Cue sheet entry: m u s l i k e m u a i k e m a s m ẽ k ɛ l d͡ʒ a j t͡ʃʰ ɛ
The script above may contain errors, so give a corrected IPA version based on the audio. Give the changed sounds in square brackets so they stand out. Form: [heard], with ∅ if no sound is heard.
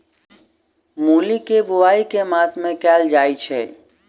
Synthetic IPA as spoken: m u [∅] l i k e [b] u a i k e m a s m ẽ k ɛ l d͡ʒ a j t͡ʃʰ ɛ